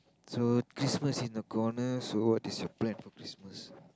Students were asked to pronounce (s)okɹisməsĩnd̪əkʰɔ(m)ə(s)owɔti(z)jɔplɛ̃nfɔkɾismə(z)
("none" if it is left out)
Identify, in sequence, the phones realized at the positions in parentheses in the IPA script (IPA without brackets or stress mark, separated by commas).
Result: s, n, s, s, s